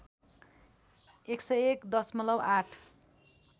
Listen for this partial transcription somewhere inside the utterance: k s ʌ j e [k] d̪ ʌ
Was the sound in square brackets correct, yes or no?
yes